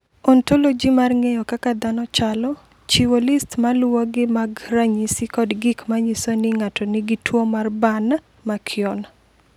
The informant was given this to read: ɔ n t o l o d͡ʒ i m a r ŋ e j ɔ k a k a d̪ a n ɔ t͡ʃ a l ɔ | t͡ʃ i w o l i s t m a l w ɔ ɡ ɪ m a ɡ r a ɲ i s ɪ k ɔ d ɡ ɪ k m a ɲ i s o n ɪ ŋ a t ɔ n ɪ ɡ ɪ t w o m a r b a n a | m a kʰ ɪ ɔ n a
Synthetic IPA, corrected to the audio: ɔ n t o l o d͡ʒ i m a r ŋ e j ɔ k a k a d̪ a n ɔ t͡ʃ a l ɔ | t͡ʃ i w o l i s t m a l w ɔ ɡ ɪ m a ɡ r a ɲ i s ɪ k ɔ d ɡ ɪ k m a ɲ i s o n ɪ ŋ a t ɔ n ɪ ɡ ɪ t w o m a r b a n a | m a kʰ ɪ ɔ n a